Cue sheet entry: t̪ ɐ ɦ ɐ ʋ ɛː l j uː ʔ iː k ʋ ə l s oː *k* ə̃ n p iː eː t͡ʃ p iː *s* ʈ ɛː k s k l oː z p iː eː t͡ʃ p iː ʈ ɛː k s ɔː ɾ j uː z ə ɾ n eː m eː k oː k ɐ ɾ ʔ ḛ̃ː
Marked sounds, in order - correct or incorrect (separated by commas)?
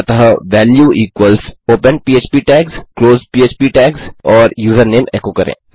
incorrect, incorrect